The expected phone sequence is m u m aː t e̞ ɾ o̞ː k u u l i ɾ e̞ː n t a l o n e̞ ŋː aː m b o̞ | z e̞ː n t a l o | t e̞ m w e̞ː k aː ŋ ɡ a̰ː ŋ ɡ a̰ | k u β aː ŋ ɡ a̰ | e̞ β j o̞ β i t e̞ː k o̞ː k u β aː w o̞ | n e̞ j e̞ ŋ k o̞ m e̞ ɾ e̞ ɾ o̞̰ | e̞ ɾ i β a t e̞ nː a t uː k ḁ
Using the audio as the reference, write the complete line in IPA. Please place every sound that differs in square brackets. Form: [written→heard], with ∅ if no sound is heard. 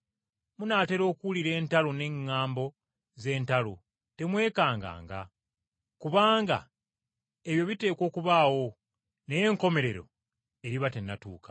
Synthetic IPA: m u [m→n] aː t e̞ ɾ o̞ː k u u l i ɾ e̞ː n t a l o n e̞ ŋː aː m b o̞ | z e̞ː n t a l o | t e̞ m w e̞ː k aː ŋ ɡ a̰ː ŋ ɡ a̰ | k u β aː ŋ ɡ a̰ | e̞ β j o̞ β i t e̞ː k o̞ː k u β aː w o̞ | n e̞ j e̞ ŋ k o̞ m e̞ ɾ e̞ ɾ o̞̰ | e̞ ɾ i β a t e̞ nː a t uː k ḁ